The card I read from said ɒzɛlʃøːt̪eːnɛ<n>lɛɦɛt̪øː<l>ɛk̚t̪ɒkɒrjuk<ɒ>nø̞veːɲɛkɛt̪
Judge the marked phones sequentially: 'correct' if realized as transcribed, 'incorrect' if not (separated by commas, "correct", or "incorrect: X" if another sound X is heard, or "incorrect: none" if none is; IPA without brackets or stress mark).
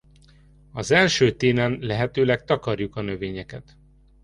correct, correct, correct